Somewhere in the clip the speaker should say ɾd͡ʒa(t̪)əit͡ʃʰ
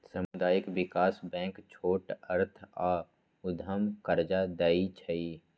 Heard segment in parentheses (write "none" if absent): d̪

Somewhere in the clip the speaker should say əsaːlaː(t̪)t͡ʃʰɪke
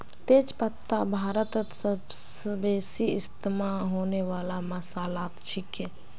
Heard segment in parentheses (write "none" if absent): t̪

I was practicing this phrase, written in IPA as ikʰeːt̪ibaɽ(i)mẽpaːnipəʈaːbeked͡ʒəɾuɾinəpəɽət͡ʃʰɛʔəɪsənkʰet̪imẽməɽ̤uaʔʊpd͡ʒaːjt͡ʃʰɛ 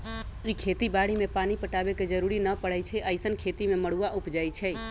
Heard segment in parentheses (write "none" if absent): i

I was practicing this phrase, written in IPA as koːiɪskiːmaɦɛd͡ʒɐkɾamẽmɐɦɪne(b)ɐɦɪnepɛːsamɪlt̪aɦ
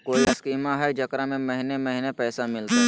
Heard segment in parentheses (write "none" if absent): m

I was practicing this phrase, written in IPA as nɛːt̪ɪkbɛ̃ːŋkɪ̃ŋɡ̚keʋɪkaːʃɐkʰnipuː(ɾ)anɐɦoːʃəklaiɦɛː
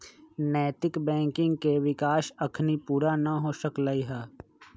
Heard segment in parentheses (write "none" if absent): ɾ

